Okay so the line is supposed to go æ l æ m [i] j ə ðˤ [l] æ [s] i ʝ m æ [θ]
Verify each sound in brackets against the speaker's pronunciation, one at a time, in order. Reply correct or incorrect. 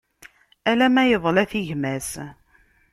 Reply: incorrect, correct, incorrect, incorrect

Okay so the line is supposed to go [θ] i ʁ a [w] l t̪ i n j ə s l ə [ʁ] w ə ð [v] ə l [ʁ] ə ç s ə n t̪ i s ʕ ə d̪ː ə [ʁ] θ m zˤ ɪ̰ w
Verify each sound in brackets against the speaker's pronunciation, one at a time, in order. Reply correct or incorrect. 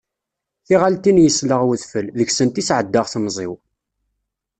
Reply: correct, incorrect, correct, incorrect, incorrect, correct

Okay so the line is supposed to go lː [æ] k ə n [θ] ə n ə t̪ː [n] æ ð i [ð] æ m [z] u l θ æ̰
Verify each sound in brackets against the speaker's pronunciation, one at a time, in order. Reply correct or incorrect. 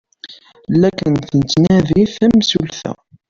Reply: correct, correct, correct, incorrect, incorrect

